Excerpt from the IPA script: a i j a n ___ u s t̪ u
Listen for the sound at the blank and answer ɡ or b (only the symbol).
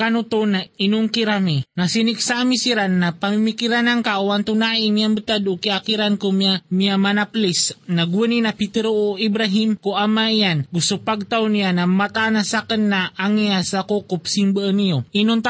ɡ